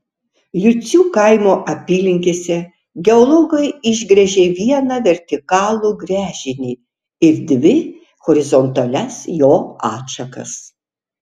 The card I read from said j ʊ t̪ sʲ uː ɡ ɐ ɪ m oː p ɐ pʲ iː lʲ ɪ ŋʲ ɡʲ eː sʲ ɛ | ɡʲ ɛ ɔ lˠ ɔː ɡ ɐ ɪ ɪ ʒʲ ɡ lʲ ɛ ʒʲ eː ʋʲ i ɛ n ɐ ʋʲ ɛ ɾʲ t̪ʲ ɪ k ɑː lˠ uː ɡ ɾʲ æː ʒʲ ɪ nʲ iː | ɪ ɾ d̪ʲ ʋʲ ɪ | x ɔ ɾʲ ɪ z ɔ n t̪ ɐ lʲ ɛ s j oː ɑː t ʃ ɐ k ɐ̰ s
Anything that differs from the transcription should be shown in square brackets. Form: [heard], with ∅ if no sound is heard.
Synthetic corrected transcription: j ʊ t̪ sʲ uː [k] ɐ ɪ m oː [ʔ] ɐ pʲ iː lʲ ɪ ŋʲ [kʲ] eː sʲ ɛ | ɡʲ ɛ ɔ lˠ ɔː ɡ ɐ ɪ ɪ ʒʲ ɡ [ɾʲ] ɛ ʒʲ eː ʋʲ i ɛ n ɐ ʋʲ ɛ ɾʲ t̪ʲ ɪ k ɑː lˠ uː ɡ ɾʲ æː ʒʲ ɪ nʲ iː | ɪ ɾ d̪ʲ ʋʲ ɪ | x ɔ ɾʲ ɪ z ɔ n t̪ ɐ lʲ ɛ s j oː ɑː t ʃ ɐ k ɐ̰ s